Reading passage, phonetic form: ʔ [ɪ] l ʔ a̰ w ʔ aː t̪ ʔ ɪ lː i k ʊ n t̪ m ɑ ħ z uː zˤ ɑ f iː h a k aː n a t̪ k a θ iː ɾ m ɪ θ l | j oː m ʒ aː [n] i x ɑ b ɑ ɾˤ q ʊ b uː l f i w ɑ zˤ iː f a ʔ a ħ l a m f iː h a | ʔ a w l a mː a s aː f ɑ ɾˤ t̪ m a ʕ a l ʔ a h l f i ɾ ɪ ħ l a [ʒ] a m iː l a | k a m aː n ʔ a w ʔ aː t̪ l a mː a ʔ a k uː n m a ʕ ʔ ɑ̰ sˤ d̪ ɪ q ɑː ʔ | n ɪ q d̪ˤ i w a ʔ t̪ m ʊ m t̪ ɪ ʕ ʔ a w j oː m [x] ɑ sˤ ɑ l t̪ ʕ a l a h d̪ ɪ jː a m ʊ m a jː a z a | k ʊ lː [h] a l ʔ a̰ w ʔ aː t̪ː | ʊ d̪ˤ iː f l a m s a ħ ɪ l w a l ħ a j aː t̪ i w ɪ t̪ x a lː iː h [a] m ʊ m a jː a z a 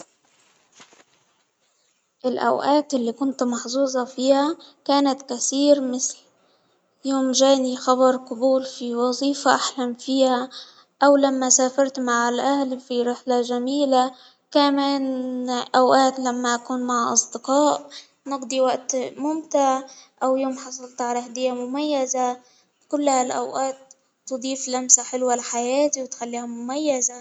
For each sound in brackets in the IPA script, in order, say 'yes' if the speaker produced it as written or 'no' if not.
yes, yes, yes, no, yes, yes

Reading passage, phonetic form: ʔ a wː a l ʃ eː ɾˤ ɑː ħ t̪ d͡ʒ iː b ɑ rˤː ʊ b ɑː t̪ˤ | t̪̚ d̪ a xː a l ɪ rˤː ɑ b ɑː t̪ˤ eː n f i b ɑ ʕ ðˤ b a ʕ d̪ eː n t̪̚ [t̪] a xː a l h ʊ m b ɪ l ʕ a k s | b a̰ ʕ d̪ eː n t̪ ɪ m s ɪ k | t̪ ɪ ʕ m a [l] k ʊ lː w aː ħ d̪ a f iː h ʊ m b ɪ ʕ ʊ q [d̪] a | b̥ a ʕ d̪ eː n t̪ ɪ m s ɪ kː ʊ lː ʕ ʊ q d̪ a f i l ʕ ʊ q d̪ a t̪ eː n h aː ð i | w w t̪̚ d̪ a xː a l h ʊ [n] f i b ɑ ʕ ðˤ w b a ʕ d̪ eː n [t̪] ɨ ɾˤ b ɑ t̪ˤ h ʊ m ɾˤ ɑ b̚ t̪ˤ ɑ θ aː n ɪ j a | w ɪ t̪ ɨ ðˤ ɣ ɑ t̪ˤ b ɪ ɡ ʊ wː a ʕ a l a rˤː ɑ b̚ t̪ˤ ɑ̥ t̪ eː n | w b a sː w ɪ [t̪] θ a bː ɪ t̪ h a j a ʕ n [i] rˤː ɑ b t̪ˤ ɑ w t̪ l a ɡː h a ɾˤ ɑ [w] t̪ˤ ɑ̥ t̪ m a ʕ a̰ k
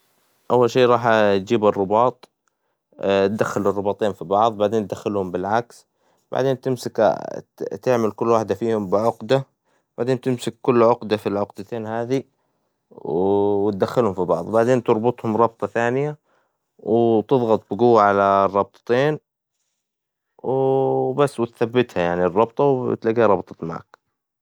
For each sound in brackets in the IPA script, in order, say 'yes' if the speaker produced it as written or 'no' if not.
no, yes, yes, no, yes, yes, yes, no

